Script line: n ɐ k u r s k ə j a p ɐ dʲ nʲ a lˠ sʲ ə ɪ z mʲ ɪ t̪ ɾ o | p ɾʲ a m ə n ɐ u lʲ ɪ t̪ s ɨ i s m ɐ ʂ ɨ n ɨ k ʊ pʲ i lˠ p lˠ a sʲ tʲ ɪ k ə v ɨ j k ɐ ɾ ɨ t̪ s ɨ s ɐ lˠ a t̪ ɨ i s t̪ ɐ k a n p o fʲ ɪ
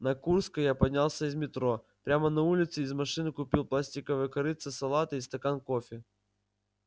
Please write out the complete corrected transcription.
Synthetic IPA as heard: n ɐ k u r s k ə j a p ɐ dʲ nʲ a lˠ sʲ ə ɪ z mʲ ɪ t̪ ɾ o | p ɾʲ a m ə n ɐ u lʲ ɪ t̪ s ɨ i z m ɐ ʂ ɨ n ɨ k ʊ pʲ i lˠ p lˠ a sʲ tʲ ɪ k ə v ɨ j k ɐ ɾ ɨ t̪ s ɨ s ɐ lˠ a t̪ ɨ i s t̪ ɐ k a n k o fʲ ɪ